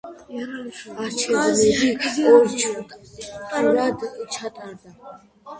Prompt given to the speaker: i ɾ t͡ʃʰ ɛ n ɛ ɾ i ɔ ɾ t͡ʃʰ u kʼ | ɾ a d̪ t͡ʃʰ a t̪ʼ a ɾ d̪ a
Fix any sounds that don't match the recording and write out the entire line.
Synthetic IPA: a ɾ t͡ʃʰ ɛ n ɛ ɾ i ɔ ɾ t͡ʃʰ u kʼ | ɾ a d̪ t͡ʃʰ a t̪ʼ a ɾ d̪ a